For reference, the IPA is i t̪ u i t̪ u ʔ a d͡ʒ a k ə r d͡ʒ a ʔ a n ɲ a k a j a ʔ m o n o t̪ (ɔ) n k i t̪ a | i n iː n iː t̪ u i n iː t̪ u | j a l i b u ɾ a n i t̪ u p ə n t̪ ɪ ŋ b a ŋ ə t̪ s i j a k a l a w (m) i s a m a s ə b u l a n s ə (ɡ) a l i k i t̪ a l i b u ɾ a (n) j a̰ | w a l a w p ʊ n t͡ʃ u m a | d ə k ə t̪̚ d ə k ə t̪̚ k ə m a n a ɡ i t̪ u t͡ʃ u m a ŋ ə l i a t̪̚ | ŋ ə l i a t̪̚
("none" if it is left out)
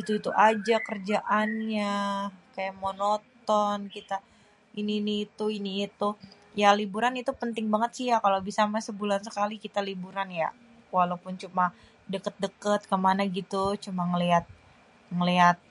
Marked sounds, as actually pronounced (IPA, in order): ɔ, b, k, n

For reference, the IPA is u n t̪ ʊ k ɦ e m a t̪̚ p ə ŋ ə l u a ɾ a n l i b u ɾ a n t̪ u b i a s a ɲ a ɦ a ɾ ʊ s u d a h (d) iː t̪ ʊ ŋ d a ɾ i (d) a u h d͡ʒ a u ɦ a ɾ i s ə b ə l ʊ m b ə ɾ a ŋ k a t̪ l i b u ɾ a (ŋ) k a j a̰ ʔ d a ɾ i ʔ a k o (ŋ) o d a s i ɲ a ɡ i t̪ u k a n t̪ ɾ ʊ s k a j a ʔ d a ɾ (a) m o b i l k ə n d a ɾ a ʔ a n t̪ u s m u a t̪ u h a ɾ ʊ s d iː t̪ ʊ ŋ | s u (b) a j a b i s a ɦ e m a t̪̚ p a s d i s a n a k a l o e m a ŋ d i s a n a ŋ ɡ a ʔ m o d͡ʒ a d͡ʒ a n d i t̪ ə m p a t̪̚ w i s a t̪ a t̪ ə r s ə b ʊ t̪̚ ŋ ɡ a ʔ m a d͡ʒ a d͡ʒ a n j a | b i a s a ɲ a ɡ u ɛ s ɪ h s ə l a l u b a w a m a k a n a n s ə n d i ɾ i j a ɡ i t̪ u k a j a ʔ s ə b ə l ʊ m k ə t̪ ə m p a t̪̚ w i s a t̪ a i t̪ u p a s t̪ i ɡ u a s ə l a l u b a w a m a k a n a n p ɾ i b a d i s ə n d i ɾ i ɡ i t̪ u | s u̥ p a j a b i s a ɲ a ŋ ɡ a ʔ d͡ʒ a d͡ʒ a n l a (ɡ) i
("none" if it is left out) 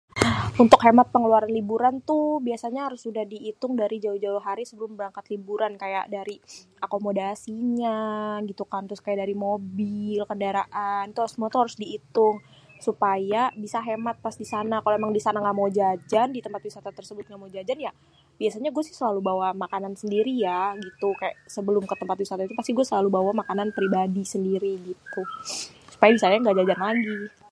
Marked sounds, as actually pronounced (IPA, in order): d, d͡ʒ, n, m, i, p, ɡ

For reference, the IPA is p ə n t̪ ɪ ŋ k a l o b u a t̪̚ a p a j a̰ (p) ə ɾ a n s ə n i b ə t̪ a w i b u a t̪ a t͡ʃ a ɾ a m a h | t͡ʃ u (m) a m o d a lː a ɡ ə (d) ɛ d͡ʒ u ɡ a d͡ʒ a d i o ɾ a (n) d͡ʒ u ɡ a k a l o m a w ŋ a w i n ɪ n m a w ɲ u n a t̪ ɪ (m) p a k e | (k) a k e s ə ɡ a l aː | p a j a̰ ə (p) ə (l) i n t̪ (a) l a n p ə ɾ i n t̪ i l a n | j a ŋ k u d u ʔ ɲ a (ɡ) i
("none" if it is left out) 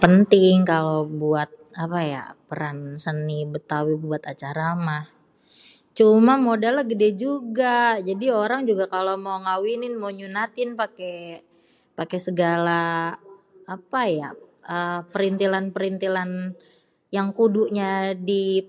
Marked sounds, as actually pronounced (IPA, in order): p, m, d, ŋ, n, p, p, ɾ, i, d

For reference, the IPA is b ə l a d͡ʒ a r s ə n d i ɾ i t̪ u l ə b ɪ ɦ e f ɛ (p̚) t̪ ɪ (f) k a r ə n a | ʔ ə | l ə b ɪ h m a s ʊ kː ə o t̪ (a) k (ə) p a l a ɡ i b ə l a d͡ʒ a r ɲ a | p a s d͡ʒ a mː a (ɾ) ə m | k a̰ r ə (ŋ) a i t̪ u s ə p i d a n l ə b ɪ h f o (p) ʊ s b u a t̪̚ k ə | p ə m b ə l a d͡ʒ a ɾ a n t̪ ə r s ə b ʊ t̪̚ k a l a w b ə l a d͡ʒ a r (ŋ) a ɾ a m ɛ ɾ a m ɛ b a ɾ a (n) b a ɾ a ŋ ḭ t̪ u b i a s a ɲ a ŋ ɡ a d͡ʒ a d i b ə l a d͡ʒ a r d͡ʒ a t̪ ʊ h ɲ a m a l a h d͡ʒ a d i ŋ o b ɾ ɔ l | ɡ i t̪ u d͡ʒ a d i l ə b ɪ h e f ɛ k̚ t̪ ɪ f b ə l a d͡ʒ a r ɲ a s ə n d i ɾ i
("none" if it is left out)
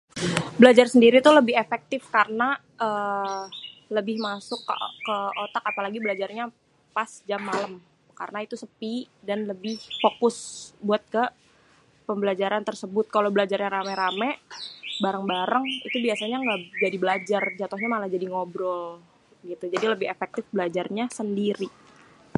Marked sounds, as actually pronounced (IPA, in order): k̚, f, a, a, l, n, k, ɲ, ŋ

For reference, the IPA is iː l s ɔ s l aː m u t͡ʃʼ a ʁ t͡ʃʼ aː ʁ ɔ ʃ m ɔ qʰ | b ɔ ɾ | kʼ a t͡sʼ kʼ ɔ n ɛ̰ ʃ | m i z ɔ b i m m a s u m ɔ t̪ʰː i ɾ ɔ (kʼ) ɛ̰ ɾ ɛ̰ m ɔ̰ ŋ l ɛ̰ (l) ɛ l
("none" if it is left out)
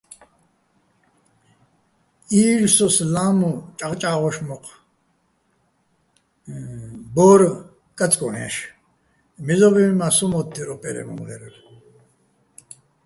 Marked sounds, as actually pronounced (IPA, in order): pʼ, ɾ

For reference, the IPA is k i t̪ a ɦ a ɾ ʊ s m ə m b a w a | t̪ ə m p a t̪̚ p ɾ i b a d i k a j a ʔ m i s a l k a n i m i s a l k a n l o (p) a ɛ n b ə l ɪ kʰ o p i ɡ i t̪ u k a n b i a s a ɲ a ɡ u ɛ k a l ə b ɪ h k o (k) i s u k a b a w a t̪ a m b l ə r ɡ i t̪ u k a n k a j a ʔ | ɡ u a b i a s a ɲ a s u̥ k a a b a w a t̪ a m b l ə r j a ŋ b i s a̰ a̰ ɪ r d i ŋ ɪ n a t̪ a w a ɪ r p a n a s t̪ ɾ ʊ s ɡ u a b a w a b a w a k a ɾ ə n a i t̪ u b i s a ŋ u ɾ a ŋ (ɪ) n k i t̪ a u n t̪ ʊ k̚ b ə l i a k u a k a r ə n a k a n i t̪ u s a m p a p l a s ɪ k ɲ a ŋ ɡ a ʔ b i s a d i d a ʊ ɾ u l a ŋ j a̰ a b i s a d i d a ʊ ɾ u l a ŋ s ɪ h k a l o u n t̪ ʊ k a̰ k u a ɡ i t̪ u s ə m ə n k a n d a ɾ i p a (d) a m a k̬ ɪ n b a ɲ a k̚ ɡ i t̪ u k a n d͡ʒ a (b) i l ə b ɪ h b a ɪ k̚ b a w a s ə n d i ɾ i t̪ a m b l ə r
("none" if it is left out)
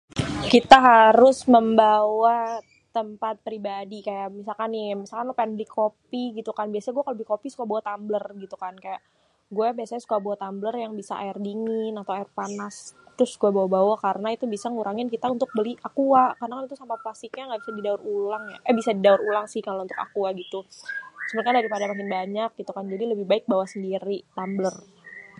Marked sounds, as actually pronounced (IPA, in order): p, p, ɪ, d, d

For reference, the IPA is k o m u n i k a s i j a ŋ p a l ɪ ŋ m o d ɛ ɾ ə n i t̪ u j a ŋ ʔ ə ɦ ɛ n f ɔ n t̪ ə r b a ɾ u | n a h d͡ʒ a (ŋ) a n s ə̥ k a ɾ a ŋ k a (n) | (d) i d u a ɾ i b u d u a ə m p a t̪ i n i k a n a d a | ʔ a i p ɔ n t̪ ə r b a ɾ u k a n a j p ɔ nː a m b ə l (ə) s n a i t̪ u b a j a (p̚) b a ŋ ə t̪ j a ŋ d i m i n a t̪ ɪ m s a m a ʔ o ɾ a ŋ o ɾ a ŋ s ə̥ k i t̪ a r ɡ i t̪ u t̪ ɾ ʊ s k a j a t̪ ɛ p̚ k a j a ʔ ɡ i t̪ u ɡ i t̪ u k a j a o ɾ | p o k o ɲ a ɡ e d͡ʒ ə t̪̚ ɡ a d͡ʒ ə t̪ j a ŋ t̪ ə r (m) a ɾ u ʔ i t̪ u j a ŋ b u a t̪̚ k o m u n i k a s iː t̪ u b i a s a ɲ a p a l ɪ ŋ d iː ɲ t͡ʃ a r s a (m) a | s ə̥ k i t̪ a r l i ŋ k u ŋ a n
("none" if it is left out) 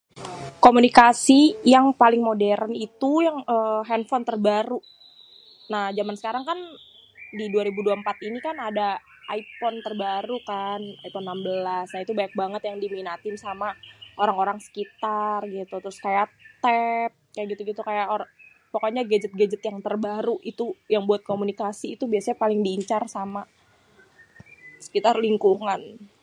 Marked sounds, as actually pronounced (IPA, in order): m, n, d, a, k̚, b, m

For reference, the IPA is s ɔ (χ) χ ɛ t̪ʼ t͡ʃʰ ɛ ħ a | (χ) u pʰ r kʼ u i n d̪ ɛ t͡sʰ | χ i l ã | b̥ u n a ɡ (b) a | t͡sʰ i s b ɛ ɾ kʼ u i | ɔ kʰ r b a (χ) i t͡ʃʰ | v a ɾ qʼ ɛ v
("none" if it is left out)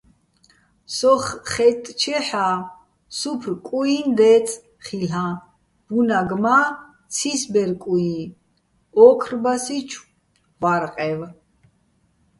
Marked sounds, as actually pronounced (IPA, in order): χ, s, m, s

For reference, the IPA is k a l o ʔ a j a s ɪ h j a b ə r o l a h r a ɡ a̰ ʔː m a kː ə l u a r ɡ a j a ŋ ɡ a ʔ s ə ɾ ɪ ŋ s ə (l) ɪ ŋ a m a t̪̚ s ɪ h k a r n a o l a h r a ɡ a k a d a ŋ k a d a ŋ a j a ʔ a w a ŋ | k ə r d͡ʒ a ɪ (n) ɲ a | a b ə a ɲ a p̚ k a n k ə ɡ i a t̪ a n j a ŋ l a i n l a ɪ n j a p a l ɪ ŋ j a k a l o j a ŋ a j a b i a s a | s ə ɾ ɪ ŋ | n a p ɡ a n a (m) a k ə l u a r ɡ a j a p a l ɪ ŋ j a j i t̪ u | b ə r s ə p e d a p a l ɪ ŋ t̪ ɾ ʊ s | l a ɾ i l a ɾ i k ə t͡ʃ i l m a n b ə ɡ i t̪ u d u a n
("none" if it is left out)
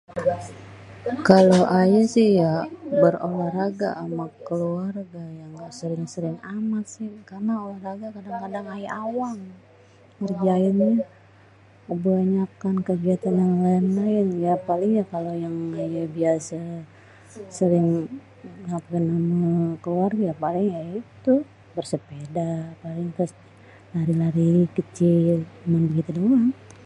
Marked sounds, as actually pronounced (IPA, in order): ɾ, n, m

